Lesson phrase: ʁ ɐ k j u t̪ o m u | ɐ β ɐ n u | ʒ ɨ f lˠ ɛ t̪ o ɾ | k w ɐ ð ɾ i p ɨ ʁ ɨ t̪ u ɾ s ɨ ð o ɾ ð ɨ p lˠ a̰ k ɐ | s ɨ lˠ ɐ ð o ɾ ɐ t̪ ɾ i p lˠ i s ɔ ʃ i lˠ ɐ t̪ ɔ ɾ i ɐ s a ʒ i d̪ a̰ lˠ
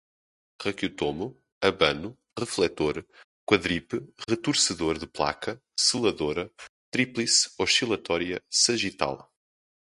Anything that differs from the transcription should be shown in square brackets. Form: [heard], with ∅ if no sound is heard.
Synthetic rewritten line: ʁ ɐ k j u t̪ o m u | ɐ β ɐ n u | [ʁ] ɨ f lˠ ɛ t̪ o ɾ | k w ɐ ð ɾ i p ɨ ʁ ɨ t̪ u ɾ s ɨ ð o ɾ ð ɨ p lˠ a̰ k ɐ | s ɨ lˠ ɐ ð o ɾ ɐ t̪ ɾ i p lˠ i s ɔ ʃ i lˠ ɐ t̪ ɔ ɾ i ɐ s [ɐ] ʒ i [t̪] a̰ lˠ